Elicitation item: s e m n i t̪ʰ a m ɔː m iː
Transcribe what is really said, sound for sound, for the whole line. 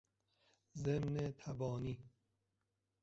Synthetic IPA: z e m n e t̪ʰ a b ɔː n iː